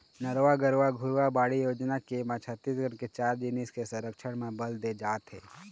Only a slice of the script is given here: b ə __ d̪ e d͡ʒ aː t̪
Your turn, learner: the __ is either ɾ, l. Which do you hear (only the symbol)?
l